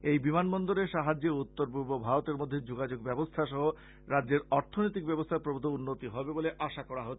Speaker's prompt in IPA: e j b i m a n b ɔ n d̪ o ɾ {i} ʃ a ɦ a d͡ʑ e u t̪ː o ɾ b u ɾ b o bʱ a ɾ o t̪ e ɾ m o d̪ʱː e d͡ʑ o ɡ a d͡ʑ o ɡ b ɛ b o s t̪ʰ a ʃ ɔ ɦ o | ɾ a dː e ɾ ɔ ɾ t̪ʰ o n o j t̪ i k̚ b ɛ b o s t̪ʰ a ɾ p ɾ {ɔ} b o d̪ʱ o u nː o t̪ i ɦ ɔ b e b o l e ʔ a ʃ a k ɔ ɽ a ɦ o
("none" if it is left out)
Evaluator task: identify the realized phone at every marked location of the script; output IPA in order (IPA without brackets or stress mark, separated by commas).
e, o